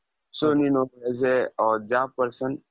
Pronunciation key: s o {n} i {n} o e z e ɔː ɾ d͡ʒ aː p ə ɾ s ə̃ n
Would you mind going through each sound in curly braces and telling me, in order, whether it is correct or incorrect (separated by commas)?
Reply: correct, correct